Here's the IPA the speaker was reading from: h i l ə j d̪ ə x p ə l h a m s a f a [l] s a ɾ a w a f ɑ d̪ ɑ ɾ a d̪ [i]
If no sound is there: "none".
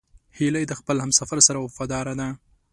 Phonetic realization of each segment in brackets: ɾ, a

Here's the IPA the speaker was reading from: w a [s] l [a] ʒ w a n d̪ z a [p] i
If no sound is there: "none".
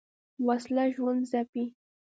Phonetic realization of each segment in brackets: s, a, p

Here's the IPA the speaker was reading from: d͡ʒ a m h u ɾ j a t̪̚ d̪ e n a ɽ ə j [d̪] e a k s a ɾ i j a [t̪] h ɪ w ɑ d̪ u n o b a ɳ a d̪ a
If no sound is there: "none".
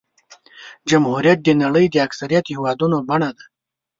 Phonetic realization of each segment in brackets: d̪, t̪

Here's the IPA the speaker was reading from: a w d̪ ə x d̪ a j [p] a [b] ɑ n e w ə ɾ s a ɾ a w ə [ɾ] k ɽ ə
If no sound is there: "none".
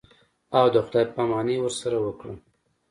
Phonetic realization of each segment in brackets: p, m, none

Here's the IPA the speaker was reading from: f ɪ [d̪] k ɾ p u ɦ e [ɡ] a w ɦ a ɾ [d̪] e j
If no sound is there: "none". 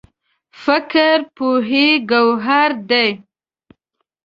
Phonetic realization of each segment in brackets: none, ɡ, d̪

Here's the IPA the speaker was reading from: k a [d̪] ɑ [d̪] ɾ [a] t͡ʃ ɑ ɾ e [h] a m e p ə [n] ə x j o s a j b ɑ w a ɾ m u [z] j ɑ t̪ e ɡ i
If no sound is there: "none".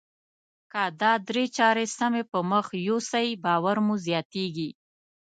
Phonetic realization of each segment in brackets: d̪, d̪, e, s, m, z

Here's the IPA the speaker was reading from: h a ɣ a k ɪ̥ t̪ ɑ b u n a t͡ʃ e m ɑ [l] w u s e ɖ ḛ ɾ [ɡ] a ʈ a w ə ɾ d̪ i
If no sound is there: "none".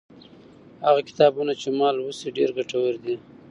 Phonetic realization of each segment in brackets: l, ɡ

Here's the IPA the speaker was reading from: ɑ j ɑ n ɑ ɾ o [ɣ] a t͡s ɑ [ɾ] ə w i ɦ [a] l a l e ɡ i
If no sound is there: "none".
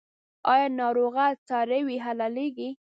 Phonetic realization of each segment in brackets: ɣ, ɾ, a

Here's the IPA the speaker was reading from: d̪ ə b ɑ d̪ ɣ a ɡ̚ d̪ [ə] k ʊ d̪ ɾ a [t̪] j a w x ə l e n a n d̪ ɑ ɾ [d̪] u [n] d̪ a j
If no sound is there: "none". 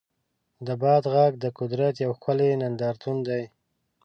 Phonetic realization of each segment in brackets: ə, t̪, t̪, n

